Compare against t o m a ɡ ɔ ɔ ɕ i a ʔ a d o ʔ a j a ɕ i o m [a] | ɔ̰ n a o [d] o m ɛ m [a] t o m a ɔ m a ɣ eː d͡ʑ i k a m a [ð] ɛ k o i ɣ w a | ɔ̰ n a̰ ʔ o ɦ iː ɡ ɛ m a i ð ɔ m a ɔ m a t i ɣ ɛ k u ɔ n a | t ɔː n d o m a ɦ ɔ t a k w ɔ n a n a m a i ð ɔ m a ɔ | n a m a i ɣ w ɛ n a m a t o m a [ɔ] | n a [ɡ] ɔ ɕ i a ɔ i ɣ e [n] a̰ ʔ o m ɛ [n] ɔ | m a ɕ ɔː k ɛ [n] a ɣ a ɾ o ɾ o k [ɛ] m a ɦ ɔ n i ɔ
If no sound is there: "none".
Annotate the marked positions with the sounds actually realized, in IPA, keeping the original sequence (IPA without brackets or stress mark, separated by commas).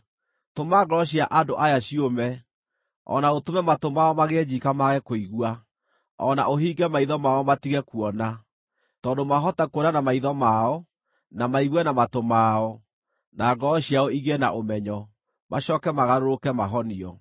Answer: ɛ, t, a, ɣ, ɔ, ɡ, n, ɲ, m, ɛ